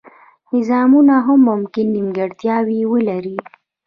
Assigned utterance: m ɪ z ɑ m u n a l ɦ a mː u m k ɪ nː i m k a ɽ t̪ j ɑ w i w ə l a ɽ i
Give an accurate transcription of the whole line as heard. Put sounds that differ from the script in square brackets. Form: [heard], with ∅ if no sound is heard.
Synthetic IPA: [n] ɪ z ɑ m u n a [∅] ɦ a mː [ʊ] m k ɪ nː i m [ɡ] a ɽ t̪ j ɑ w i w ə l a [ɾ] i